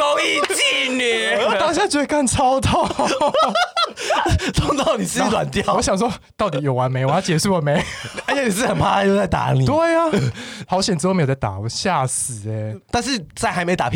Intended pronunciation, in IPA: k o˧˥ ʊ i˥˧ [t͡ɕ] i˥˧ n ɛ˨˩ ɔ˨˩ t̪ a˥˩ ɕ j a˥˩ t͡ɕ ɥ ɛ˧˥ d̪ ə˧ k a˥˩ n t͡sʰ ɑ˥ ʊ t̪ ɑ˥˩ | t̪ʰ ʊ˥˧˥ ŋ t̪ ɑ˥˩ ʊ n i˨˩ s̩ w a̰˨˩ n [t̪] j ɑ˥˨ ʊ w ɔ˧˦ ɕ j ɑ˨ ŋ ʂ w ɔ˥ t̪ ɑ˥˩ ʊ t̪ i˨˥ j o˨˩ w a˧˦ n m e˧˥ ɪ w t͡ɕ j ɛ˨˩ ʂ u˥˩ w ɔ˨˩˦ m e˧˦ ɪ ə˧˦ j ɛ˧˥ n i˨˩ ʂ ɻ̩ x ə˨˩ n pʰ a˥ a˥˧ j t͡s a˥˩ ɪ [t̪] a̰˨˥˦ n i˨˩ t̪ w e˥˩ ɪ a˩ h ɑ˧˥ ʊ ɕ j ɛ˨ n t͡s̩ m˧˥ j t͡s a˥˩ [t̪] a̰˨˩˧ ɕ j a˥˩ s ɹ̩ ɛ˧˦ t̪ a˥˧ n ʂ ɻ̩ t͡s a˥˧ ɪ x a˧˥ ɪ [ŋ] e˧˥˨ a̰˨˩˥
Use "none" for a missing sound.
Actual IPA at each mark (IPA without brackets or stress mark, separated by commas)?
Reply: t͡ɕ, t̪, t̪, t̪, m